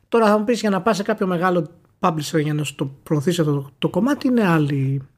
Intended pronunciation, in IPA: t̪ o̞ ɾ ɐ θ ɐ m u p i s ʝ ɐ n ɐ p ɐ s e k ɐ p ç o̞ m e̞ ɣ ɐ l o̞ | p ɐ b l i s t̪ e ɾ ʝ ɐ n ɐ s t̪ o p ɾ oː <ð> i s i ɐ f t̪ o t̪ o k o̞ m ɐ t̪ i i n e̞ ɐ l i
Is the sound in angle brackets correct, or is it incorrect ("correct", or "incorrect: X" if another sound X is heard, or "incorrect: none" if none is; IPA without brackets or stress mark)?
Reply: incorrect: θ